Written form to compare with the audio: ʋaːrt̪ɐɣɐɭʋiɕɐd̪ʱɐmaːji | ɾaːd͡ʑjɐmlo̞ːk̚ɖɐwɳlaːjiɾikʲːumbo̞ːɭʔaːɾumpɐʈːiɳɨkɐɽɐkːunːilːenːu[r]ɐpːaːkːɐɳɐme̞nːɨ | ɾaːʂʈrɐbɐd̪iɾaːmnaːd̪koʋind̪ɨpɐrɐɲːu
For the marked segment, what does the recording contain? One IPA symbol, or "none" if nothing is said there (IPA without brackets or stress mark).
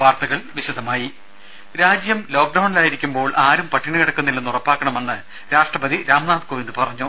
r